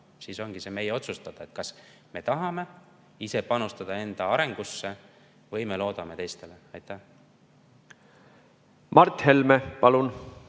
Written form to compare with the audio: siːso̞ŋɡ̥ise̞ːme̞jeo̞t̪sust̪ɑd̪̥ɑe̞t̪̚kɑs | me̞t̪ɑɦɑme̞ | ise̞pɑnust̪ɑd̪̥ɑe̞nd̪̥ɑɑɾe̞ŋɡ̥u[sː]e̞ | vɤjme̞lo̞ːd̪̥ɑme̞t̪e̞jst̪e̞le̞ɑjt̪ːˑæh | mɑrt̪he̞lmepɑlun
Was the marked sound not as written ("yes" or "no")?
no